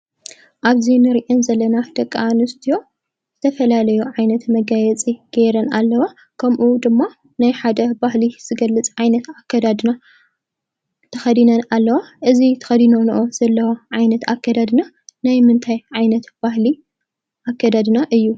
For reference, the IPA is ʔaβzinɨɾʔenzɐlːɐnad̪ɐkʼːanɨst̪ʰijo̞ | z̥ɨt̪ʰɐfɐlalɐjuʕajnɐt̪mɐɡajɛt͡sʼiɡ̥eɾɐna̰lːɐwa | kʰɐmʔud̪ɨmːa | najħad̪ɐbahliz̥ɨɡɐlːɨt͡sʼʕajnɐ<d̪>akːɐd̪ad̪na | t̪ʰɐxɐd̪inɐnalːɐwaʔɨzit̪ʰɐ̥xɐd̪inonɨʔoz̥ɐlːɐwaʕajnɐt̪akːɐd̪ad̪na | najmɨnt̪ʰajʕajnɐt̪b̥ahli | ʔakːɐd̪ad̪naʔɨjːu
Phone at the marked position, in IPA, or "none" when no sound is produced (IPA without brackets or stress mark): t̪